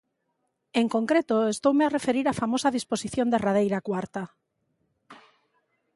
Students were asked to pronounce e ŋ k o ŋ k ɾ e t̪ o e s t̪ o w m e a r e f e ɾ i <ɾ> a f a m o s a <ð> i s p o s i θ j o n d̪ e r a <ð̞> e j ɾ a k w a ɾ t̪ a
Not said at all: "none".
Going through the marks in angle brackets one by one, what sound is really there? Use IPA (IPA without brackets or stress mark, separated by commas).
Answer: ɾ, ð, ð̞